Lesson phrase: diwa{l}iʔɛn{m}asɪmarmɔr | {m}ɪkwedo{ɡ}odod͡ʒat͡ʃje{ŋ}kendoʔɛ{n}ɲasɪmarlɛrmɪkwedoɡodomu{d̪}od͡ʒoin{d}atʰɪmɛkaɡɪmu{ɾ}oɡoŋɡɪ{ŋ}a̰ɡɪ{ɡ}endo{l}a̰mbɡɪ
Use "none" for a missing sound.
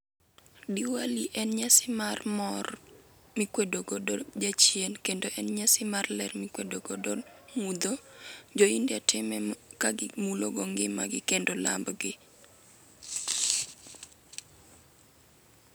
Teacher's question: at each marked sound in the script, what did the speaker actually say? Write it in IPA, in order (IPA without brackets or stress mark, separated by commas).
l, ɲ, m, ɡ, n, n, d̪, d, l, m, k, l